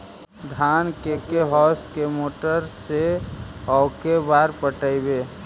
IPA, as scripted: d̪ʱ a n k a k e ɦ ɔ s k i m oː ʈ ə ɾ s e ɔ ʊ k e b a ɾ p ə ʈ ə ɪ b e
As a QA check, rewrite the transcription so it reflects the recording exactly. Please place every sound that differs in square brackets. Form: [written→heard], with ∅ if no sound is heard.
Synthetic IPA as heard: d̪ʱ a n k [a→e] k e ɦ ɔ s k [i→e] m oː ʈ ə ɾ s e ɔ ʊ k e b a ɾ p ə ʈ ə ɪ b e

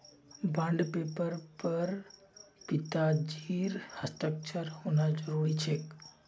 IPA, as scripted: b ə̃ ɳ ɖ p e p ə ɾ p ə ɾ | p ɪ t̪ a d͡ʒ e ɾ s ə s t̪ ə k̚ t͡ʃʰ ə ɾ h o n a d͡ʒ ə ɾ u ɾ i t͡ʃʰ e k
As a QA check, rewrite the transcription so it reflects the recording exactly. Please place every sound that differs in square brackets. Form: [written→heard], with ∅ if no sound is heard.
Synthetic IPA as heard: b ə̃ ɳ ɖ p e p ə ɾ p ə ɾ | p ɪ t̪ a d͡ʒ [e→i] ɾ [s→h] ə s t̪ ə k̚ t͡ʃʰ ə ɾ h o n a d͡ʒ ə ɾ u ɾ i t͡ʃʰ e k

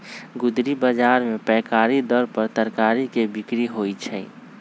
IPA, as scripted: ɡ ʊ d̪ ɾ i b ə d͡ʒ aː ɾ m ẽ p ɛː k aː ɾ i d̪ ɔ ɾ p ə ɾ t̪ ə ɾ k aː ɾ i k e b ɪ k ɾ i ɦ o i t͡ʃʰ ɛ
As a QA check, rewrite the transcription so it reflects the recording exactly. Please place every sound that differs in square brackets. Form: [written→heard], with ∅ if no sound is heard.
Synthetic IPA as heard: ɡ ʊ d̪ ɾ i b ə d͡ʒ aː ɾ m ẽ p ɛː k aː ɾ i d̪ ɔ ɾ p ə ɾ t̪ ə ɾ k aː ɾ i k e b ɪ k ɾ i ɦ o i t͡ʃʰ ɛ

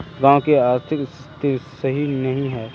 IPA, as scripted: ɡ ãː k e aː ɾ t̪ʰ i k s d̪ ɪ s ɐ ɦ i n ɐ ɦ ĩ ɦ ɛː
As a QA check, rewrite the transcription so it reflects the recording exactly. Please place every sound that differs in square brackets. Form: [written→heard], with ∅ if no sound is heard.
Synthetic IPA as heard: ɡ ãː k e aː ɾ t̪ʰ [i→ɪ] k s [d̪→t̪] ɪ s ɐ ɦ i n ɐ ɦ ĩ ɦ ɛː

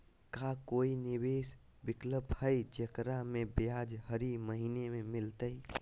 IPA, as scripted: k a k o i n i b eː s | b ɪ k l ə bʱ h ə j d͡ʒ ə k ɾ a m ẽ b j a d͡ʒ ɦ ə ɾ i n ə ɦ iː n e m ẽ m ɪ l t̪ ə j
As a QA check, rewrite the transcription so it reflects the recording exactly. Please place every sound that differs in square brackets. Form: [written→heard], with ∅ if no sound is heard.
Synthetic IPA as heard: k a k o i n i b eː s | b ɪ k l ə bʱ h ə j d͡ʒ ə k ɾ a m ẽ b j a d͡ʒ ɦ ə ɾ i [n→m] ə ɦ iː n e m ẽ m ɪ l t̪ ə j

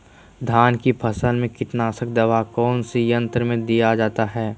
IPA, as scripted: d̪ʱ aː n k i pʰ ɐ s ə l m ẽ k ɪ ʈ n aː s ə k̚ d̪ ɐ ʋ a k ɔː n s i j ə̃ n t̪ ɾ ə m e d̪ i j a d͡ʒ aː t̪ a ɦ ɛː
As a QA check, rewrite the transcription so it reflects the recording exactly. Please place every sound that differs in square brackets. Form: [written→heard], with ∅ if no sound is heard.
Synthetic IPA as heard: d̪ʱ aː n k i pʰ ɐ s ə l m ẽ k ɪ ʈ n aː s ə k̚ d̪ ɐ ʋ a k ɔː n s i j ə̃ n t̪ ɾ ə m [e→ẽ] d̪ i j a d͡ʒ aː t̪ a ɦ ɛː

